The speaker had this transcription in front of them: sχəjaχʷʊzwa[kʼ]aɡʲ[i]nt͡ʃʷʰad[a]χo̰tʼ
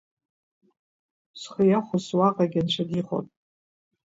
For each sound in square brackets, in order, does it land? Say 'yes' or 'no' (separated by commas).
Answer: no, no, no